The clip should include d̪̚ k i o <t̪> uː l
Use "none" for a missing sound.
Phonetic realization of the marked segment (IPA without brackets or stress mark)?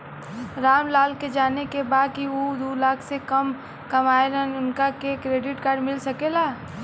d̪